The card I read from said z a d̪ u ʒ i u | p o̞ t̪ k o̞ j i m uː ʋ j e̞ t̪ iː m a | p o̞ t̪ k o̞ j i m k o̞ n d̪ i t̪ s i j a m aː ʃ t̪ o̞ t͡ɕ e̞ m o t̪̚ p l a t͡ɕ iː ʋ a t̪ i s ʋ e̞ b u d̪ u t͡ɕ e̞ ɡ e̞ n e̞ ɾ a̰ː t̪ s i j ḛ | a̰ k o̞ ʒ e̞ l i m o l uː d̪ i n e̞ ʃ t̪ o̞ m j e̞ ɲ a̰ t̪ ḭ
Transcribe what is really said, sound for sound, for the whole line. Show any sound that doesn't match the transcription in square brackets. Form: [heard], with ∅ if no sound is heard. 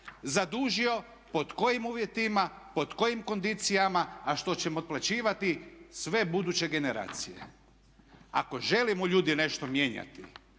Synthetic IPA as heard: z a d̪ u ʒ i [o] | p o̞ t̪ k o̞ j i m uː ʋ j e̞ t̪ [i] m a | p o̞ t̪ k o̞ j i m k o̞ n d̪ i t̪ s i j a m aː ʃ t̪ o̞ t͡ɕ e̞ m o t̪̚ p l a t͡ɕ iː ʋ a t̪ i s ʋ e̞ b u d̪ u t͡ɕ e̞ ɡ e̞ n e̞ ɾ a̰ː t̪ s i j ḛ | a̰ k o̞ ʒ e̞ l i m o [ʎ] uː d̪ i n e̞ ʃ t̪ o̞ m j e̞ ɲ a̰ t̪ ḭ